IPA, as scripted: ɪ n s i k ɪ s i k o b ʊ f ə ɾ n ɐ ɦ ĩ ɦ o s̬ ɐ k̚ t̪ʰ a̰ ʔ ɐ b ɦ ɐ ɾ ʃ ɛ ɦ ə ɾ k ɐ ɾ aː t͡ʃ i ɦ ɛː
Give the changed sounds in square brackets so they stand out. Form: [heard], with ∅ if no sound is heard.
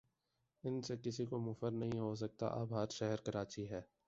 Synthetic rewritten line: ɪ n s [e] k ɪ s i k o [m] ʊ f ə ɾ n ɐ ɦ ĩ ɦ o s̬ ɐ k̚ [t̪] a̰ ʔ ɐ b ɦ ɐ ɾ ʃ ɛ ɦ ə ɾ k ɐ ɾ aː t͡ʃ i ɦ ɛː